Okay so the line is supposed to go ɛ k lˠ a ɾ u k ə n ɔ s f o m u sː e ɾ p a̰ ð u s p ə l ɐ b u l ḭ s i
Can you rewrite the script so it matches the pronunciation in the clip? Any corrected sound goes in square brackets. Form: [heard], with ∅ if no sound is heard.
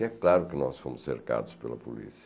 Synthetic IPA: ɛ k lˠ a ɾ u k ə n ɔ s f o m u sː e ɾ [k] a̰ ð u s p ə l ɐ [p] u l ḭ s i